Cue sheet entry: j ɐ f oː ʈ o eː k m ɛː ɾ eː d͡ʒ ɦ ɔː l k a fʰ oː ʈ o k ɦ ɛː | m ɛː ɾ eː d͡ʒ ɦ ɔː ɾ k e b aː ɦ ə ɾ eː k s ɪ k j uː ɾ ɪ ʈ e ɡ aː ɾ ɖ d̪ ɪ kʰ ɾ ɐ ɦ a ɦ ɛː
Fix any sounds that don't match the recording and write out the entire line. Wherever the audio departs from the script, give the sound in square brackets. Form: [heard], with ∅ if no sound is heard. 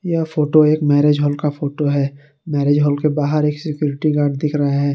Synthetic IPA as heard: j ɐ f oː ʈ o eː k m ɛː ɾ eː d͡ʒ ɦ ɔː l k a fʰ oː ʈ o [∅] ɦ ɛː | m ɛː ɾ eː d͡ʒ ɦ ɔː [l] k e b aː ɦ ə ɾ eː k s ɪ k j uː ɾ ɪ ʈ [i] ɡ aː ɾ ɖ d̪ ɪ kʰ ɾ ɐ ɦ a ɦ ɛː